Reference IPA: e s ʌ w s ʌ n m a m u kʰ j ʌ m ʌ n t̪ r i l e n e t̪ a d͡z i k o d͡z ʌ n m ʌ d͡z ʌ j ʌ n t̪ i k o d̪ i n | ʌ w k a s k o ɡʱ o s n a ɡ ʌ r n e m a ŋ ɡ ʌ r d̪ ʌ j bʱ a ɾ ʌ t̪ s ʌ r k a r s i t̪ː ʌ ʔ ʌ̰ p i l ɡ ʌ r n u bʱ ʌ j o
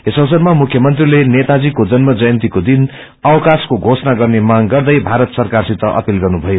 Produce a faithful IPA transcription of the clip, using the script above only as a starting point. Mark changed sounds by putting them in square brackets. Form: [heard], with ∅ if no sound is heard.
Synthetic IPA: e s ʌ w s ʌ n m a m u kʰ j ʌ m ʌ n t̪ r i l e n e t̪ a d͡z i k o d͡z ʌ n m ʌ d͡z ʌ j ʌ n t̪ i k o d̪ i n | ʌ w k a s k o ɡʱ o s n a ɡ ʌ r n e m a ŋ ɡ ʌ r d̪ ʌ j bʱ a ɾ ʌ t̪ s ʌ r k a r s i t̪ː ʌ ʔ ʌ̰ p i l ɡ ʌ r n u bʱ ʌ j o